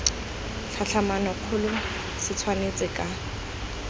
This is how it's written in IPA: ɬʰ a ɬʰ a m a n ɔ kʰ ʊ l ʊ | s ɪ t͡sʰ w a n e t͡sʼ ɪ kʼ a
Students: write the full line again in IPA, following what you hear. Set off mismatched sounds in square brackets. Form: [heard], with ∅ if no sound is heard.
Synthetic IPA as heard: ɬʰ a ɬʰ a m a n ɔ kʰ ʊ l ʊ | s ɪ t͡sʰ w a n e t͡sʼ ɪ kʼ a